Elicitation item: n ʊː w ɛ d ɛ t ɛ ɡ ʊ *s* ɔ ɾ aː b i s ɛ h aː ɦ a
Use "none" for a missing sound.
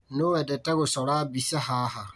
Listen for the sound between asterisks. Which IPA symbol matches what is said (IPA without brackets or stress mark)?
s